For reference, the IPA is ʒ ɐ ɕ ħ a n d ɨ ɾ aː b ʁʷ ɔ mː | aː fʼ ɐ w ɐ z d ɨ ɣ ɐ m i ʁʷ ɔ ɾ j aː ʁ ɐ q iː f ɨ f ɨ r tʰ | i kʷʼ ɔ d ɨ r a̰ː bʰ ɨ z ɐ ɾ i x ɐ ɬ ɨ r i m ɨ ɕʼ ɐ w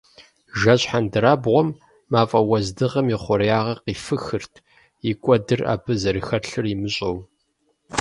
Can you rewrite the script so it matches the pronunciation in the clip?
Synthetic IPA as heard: ʒ ɐ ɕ ħ a n d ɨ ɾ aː b ʁʷ ɔ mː | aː fʼ ɐ w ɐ z d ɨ ʁ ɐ m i χʷ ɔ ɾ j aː ʁ ɐ q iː f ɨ x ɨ r tʰ | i kʷʼ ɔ d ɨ r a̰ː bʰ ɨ z ɐ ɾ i x ɐ ɬ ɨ r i m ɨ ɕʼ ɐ w